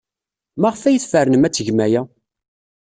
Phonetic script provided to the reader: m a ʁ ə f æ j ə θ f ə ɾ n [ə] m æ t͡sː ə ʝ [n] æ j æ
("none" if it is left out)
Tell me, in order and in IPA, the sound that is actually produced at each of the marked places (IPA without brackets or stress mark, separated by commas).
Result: ə, m